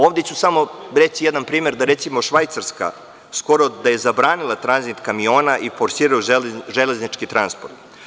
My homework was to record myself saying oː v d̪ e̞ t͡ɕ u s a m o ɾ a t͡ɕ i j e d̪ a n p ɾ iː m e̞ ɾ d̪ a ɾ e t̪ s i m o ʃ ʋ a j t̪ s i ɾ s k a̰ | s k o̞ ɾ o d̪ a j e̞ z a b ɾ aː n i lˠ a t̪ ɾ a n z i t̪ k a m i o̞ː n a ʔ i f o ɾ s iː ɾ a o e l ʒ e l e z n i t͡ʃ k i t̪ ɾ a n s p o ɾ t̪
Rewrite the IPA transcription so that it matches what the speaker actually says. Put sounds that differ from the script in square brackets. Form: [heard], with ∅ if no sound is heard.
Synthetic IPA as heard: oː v d̪ e̞ t͡ɕ u s a m o ɾ [e] t͡ɕ i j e d̪ a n p ɾ iː m e̞ ɾ d̪ a ɾ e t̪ s i m o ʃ ʋ a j t̪ s [a] ɾ s k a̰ | s k o̞ ɾ o d̪ a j e̞ z a b ɾ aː n i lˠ a t̪ ɾ a n z i t̪ k a m i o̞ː n a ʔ i f o ɾ s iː ɾ a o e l ʒ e l e z n i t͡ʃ k i t̪ ɾ a n s p o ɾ t̪